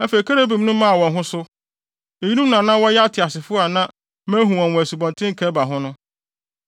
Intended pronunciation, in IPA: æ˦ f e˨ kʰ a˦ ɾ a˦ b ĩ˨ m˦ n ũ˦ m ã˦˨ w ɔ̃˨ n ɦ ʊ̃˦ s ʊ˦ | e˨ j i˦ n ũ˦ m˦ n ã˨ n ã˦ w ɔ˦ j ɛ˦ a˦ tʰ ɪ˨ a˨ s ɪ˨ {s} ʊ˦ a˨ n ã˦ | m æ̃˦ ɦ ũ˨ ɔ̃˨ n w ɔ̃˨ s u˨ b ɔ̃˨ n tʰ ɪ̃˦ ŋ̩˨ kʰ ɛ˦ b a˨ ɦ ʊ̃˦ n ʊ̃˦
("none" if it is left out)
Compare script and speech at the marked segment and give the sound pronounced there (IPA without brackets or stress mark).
f